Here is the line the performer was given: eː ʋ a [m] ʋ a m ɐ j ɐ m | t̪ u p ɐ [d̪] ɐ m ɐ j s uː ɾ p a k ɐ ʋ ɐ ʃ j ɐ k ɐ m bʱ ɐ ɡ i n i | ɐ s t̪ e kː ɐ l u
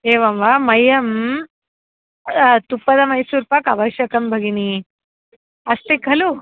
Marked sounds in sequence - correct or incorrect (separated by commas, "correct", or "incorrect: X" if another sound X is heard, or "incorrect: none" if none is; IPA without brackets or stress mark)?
correct, correct